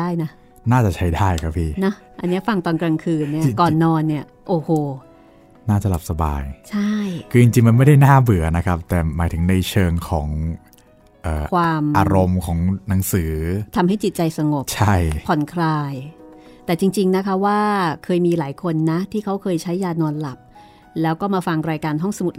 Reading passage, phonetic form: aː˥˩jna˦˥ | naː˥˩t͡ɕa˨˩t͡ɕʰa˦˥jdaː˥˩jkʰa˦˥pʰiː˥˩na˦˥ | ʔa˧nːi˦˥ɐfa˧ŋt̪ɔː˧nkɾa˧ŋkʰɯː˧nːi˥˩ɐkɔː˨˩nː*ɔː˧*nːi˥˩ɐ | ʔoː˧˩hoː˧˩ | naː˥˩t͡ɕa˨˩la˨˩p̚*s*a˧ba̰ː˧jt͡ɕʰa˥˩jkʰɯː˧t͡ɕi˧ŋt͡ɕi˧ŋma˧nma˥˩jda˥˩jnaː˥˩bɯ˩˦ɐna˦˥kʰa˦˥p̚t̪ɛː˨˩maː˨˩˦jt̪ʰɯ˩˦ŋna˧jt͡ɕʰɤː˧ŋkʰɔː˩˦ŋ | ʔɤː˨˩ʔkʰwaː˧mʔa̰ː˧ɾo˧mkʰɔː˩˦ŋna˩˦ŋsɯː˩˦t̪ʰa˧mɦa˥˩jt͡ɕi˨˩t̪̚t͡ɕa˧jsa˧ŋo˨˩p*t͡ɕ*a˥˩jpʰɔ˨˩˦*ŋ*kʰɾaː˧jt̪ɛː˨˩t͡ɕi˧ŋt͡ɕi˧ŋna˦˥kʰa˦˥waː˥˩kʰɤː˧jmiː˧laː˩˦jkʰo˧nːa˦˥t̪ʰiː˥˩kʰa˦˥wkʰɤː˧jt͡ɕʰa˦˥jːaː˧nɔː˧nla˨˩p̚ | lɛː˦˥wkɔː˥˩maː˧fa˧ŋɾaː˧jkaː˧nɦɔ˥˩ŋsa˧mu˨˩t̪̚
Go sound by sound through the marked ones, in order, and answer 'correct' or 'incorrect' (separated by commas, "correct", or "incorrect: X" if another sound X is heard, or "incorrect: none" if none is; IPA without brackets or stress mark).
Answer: correct, correct, incorrect: t͡ɕʰ, incorrect: n